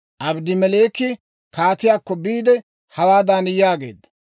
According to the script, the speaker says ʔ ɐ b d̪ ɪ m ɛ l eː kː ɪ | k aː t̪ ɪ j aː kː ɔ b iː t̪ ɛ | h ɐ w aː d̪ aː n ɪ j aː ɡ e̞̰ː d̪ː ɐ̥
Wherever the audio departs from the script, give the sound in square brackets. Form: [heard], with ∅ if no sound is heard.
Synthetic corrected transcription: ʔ ɐ b d̪ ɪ m ɛ l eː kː ɪ | k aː t̪ ɪ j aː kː ɔ b iː [d̪] ɛ | h ɐ w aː d̪ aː n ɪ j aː ɡ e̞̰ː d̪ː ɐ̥